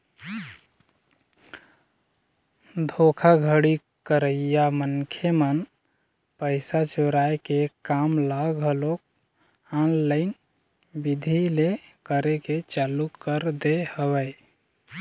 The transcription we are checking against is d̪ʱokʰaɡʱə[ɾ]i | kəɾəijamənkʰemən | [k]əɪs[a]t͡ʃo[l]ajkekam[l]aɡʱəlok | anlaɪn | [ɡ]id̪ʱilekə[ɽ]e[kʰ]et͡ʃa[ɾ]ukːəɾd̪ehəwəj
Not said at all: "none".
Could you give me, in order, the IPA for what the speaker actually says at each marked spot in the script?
ɽ, p, a, ɾ, l, b, ɾ, k, l

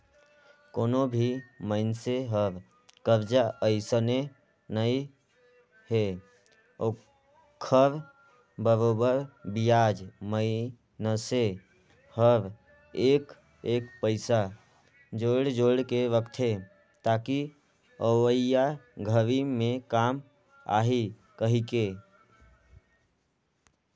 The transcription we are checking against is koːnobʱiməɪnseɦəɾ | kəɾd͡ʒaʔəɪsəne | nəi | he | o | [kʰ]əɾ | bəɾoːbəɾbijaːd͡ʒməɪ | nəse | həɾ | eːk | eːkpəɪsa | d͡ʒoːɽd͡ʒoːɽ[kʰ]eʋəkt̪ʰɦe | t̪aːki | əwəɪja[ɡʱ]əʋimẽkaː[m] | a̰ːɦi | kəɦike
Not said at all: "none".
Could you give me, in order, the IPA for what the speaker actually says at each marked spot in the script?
kʰ, k, ɡʱ, m

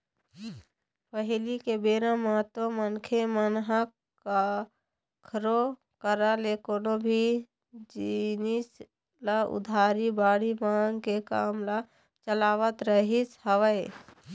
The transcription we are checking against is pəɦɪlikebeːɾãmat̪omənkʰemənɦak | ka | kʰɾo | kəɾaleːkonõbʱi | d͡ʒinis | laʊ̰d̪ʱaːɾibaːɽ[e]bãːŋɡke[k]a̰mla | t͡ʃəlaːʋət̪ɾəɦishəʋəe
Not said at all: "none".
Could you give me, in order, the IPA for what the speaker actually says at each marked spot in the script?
i, k

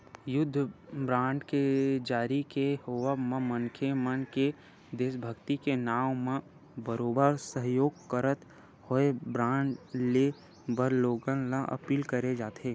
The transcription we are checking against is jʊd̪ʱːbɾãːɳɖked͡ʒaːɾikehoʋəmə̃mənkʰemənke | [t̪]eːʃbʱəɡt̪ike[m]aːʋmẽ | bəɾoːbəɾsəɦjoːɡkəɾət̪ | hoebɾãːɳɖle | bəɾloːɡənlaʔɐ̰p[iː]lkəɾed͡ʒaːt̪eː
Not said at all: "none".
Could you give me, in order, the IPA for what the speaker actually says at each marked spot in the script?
d̪, n, iː

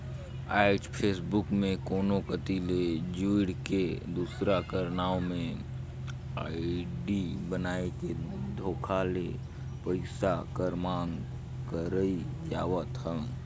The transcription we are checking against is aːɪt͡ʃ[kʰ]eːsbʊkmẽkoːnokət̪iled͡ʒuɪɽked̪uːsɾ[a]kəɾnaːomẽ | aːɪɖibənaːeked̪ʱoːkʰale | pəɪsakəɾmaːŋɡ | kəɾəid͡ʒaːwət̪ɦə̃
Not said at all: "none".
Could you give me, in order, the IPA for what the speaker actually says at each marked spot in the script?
pʰ, a

